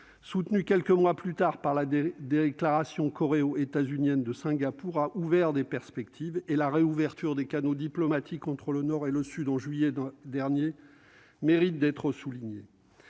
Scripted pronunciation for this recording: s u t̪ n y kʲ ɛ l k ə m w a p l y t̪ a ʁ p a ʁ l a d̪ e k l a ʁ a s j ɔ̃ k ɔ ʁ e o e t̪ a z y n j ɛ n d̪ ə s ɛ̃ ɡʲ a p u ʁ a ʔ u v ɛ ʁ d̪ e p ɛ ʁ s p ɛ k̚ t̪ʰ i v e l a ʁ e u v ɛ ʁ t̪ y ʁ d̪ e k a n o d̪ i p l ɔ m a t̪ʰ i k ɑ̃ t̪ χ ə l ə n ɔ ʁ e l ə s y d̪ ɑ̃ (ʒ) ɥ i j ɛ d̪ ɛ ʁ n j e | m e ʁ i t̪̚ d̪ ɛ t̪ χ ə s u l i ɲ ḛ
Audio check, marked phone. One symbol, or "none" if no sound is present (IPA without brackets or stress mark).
ʒ